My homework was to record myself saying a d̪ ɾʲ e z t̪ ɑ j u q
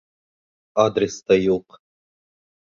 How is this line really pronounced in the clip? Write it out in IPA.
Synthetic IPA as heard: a d̪ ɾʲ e s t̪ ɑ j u q